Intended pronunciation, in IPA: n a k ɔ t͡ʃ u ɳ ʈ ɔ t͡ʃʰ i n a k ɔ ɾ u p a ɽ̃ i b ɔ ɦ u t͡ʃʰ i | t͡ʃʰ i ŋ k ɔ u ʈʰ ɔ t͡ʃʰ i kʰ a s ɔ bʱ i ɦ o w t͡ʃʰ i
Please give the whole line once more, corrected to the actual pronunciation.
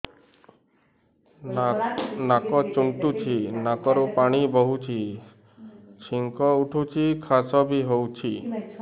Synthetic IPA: n a k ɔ t͡ʃ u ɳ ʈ u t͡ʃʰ i n a k ɔ ɾ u p a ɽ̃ i b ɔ ɦ u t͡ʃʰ i | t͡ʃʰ i ŋ k ɔ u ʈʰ u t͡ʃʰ i kʰ a s ɔ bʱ i ɦ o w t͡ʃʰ i